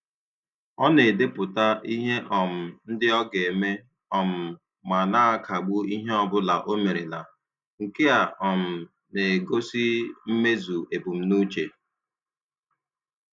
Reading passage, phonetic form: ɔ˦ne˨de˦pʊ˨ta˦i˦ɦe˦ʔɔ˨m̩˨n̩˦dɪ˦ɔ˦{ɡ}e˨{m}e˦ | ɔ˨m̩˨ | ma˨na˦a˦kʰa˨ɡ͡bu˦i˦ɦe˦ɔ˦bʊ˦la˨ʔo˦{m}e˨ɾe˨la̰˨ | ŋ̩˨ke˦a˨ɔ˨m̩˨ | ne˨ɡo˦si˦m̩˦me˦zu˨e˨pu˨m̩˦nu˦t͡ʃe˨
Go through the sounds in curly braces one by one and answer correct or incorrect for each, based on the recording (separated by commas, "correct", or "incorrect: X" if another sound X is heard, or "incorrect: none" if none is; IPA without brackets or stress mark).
correct, correct, correct